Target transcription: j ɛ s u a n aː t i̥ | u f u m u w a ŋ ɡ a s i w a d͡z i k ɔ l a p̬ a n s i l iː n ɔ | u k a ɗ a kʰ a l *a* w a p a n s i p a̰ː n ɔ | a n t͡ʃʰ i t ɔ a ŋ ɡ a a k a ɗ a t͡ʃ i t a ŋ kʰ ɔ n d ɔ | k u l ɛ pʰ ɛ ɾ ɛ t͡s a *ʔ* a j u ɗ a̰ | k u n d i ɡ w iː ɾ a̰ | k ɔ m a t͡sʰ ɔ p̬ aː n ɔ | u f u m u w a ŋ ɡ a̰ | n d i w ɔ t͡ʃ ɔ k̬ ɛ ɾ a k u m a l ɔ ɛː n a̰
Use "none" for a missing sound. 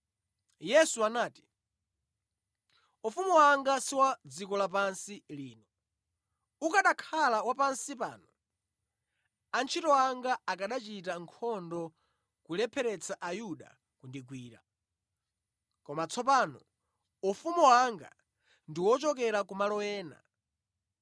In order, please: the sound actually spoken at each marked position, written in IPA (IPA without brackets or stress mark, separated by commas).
a, ʔ